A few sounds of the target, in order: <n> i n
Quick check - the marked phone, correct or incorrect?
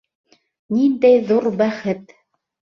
correct